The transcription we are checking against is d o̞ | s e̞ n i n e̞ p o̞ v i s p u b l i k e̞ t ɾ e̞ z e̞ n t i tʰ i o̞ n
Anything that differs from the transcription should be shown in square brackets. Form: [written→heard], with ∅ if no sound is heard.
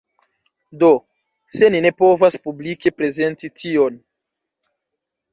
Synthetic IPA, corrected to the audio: d o̞ | s e̞ n i n e̞ p o̞ v [i→a] s p u b l i k e̞ [t→p] ɾ e̞ z e̞ n t i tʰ i o̞ n